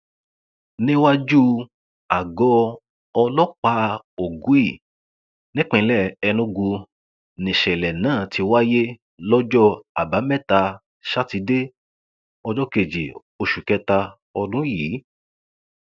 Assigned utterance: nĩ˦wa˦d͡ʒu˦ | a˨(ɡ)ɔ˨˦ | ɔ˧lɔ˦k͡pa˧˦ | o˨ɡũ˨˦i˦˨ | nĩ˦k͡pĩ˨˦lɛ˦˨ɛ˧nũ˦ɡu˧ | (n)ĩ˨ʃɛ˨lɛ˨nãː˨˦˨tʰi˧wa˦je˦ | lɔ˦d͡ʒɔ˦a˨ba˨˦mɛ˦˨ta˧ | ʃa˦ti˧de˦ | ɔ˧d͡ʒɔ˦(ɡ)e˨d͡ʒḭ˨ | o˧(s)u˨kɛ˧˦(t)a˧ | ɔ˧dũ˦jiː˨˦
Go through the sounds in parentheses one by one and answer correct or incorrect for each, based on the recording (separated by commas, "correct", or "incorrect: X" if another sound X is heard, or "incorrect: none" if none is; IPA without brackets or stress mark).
correct, correct, incorrect: k, incorrect: ʃ, correct